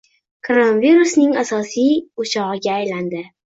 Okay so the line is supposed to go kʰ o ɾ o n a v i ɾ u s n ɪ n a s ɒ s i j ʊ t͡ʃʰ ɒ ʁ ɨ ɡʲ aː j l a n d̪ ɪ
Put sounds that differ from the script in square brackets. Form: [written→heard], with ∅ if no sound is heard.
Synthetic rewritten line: kʰ o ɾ o n a v i ɾ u s n ɪ [n→ŋ] a s ɒ s i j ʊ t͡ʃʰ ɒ ʁ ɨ ɡʲ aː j l a n d̪ ɪ